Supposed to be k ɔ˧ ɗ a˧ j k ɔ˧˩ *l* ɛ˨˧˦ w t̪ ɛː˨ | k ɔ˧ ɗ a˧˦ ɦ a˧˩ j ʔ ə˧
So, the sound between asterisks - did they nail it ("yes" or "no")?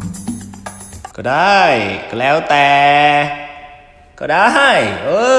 yes